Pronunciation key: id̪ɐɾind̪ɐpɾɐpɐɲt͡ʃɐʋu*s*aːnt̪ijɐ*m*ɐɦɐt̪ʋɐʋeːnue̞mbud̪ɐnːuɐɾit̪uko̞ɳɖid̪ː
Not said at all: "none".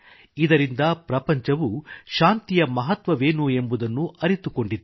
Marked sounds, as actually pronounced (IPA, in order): ʃ, m

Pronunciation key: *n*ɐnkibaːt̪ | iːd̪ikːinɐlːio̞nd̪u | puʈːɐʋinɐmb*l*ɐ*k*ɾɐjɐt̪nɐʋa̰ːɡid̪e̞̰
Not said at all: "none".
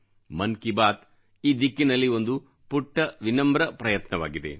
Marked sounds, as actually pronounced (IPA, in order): m, ɾ, p

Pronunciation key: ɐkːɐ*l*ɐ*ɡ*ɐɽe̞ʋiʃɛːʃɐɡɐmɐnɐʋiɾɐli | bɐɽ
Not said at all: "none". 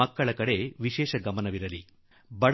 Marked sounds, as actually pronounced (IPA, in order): ɭ, k

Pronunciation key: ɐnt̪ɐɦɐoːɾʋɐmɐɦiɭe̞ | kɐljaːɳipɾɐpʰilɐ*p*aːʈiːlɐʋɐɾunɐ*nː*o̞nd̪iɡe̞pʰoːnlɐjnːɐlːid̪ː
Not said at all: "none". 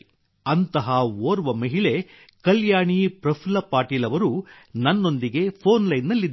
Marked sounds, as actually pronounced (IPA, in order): p, nː

